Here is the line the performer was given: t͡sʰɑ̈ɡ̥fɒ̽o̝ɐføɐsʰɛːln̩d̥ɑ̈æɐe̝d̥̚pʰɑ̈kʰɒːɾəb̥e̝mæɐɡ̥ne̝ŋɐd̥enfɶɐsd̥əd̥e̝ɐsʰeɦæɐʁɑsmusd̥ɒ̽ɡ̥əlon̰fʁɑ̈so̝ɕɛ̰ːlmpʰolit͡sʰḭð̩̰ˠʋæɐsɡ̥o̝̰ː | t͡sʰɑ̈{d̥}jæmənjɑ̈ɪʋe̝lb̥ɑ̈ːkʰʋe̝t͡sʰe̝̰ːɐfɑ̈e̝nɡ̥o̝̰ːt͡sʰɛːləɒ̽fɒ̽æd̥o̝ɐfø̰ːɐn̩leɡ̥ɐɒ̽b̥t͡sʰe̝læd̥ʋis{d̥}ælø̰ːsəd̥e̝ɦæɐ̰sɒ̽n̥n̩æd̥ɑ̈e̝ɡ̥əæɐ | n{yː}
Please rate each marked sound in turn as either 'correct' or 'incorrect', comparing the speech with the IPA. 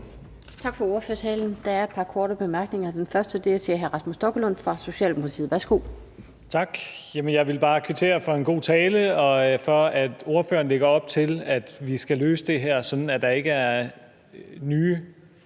incorrect: ɡ̥, incorrect: ɡ̥, correct

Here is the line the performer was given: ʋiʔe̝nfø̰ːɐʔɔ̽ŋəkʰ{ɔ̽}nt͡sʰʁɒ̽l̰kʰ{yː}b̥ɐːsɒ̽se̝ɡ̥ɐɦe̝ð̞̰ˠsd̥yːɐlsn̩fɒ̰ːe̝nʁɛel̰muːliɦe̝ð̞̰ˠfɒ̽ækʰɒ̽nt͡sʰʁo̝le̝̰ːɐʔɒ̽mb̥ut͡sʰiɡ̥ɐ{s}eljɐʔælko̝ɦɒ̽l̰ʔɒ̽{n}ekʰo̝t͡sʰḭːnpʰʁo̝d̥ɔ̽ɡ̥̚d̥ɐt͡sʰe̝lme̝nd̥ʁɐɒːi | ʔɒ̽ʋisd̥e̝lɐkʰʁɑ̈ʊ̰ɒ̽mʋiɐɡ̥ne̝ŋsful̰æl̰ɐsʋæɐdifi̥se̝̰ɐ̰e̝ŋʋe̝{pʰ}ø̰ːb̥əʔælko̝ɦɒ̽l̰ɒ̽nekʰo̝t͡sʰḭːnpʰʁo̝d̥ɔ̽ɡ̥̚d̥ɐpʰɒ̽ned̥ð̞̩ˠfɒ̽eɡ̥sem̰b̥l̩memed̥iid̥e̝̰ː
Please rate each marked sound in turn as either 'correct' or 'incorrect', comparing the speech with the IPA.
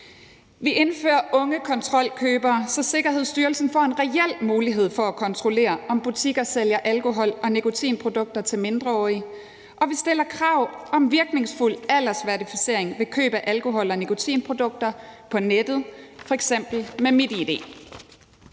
incorrect: ɒ̽, incorrect: øː, correct, correct, incorrect: kʰ

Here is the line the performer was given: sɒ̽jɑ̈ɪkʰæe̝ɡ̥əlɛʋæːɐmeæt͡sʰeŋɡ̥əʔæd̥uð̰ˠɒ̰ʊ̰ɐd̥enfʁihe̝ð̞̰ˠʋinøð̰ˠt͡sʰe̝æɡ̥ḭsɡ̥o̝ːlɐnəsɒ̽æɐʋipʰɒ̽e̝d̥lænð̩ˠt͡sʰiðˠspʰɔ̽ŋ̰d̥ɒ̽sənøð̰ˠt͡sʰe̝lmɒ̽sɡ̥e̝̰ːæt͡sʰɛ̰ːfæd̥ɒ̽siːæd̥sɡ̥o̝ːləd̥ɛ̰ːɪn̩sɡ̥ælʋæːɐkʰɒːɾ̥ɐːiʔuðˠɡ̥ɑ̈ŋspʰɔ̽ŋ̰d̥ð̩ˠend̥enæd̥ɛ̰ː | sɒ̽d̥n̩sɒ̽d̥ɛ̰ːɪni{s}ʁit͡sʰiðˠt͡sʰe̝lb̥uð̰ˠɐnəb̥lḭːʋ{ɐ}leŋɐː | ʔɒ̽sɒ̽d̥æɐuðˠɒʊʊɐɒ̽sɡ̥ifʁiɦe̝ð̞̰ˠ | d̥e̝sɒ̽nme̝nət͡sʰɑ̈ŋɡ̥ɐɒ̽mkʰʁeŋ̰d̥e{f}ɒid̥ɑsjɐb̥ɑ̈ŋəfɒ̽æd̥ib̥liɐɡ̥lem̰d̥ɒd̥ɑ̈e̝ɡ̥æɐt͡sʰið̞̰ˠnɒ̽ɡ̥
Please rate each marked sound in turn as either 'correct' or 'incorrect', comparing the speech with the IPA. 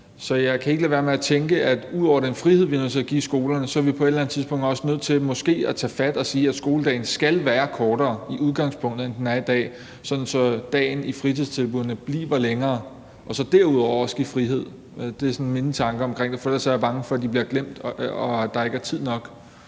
incorrect: f, correct, correct

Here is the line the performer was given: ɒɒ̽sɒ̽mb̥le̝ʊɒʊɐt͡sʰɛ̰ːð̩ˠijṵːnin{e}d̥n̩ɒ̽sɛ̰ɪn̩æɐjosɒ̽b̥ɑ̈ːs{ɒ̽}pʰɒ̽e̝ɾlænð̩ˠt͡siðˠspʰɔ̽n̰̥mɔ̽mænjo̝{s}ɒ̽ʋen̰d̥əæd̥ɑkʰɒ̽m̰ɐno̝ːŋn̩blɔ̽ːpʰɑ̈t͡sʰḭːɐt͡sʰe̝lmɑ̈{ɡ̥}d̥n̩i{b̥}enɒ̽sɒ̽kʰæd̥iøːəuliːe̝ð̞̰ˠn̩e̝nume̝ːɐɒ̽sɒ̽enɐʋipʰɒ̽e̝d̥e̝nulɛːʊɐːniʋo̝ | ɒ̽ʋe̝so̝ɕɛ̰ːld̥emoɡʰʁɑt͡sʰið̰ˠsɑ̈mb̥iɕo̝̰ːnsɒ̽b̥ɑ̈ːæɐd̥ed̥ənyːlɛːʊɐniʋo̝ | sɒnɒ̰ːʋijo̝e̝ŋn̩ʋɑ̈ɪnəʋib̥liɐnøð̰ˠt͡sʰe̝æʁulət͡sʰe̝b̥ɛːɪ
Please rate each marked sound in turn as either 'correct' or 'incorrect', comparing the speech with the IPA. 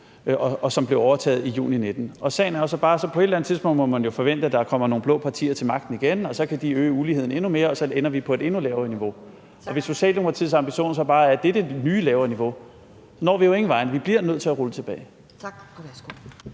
correct, correct, incorrect: f, correct, incorrect: ɡ̥

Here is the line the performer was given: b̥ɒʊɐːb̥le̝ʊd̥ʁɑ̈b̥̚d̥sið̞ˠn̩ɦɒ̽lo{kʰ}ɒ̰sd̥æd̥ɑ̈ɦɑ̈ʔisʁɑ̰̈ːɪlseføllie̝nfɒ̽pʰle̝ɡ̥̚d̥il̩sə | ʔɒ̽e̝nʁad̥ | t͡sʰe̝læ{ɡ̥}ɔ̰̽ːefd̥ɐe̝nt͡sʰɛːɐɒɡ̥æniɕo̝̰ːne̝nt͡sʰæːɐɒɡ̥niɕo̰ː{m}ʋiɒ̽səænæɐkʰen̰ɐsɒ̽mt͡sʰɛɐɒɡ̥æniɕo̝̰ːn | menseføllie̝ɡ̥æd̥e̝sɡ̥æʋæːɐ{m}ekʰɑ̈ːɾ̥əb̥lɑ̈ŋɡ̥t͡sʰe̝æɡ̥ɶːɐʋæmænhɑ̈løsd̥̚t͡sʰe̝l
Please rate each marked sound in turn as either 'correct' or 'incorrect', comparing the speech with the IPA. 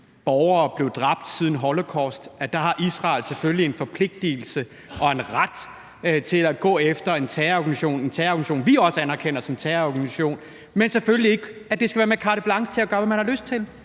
correct, correct, incorrect: n, correct

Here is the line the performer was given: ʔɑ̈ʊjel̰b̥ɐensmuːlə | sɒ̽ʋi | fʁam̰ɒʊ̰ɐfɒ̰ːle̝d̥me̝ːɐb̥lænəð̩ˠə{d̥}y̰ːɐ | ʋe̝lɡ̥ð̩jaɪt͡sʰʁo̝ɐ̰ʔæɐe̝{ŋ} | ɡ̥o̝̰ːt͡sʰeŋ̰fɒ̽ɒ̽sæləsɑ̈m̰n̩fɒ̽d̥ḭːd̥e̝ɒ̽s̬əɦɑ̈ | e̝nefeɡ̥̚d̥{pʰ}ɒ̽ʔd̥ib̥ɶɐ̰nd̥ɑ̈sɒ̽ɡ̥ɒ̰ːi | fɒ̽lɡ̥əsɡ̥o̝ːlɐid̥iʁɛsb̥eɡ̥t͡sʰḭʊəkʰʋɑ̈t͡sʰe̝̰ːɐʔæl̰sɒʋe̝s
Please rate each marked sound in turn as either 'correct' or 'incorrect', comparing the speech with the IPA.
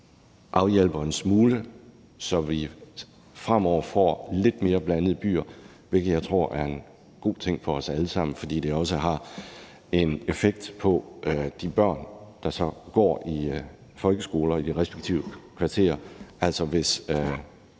incorrect: b̥, incorrect: n, correct

